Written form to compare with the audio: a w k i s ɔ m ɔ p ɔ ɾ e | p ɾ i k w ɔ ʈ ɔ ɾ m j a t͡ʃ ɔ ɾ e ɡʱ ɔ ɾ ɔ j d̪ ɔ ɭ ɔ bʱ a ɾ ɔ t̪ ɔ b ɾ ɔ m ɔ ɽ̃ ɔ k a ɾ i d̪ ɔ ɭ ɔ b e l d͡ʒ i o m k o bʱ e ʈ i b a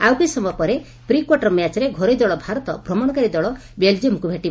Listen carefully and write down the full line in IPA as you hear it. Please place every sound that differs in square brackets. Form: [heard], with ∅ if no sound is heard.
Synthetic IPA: a w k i s ɔ m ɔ p ɔ ɾ e | p ɾ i k w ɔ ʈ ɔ ɾ m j a t͡ʃ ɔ ɾ e ɡʱ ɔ ɾ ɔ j d̪ ɔ ɭ ɔ bʱ a ɾ ɔ t̪ ɔ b ɾ ɔ m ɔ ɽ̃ ɔ k a ɾ i d̪ ɔ ɭ ɔ b e l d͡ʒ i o m k [u] bʱ e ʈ i b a

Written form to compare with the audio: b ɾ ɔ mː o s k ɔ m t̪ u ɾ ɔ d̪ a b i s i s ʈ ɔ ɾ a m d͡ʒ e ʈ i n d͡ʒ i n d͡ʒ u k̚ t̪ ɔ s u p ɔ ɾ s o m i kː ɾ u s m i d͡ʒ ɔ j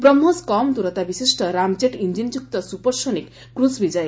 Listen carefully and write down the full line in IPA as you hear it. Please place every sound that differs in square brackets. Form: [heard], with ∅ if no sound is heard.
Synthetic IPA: b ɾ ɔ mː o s k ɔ m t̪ u ɾ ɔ [t̪] a b i s i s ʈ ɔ ɾ a m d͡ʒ e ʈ i n d͡ʒ i n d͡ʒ u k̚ t̪ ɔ s u p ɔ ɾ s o [n] i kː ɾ u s [b] i d͡ʒ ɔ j

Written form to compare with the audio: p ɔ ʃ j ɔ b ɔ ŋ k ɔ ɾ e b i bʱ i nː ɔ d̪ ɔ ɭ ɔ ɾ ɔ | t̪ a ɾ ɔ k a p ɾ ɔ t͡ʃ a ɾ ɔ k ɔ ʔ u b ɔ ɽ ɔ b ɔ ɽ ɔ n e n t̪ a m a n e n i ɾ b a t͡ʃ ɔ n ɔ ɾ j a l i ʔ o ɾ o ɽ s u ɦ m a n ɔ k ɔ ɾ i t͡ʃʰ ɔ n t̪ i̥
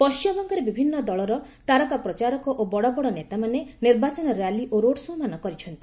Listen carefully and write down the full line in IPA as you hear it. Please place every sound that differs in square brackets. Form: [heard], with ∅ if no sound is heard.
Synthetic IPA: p ɔ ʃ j ɔ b ɔ ŋ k ɔ ɾ e b i bʱ i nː ɔ d̪ ɔ ɭ ɔ ɾ ɔ | t̪ a ɾ ɔ k a p ɾ ɔ t͡ʃ a ɾ ɔ k ɔ ʔ [o] b ɔ ɽ ɔ b ɔ ɽ ɔ n e [∅] t̪ a m a n e n i ɾ b a t͡ʃ ɔ n ɔ ɾ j a l i ʔ o ɾ o ɽ s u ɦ m a n ɔ k ɔ ɾ i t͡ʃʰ ɔ n t̪ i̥

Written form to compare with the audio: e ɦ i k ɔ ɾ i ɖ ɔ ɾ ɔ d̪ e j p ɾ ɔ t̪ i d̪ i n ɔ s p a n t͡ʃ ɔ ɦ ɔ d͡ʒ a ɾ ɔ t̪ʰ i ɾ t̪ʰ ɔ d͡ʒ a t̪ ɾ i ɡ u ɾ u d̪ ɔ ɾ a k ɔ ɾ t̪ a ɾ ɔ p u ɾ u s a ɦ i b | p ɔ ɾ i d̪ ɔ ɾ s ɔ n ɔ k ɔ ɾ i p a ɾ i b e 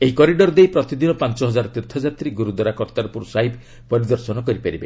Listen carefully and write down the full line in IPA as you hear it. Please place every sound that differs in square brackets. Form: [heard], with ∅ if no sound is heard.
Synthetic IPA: e ɦ i k ɔ ɾ i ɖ ɔ ɾ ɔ d̪ e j p ɾ ɔ t̪ i d̪ i n ɔ [∅] p a n t͡ʃ ɔ ɦ ɔ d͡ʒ a ɾ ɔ [t̪] i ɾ t̪ʰ ɔ d͡ʒ a t̪ ɾ i ɡ u ɾ u d̪ ɔ ɾ a k ɔ ɾ t̪ a ɾ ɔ p u ɾ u s a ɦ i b | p ɔ ɾ i d̪ ɔ ɾ s ɔ n ɔ k ɔ ɾ i p a ɾ i b e

